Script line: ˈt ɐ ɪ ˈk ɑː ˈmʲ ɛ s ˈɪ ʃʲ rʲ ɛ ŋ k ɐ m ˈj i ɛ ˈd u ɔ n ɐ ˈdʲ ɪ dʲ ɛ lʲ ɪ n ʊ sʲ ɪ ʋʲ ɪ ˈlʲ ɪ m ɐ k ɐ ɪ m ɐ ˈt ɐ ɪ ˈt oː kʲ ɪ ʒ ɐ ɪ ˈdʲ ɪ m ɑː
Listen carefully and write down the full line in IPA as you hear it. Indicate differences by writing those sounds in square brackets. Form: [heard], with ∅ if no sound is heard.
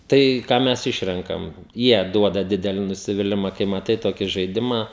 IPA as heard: ˈt ɐ ɪ ˈk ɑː ˈmʲ ɛ s ˈɪ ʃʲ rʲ ɛ ŋ k ɐ m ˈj i ɛ ˈd u ɔ [d] ɐ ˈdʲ ɪ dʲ ɛ lʲ ɪ n ʊ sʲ ɪ ʋʲ ɪ ˈlʲ ɪ m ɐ k ɐ ɪ m ɐ ˈt ɐ ɪ ˈt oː kʲ ɪ ʒ ɐ ɪ ˈdʲ ɪ m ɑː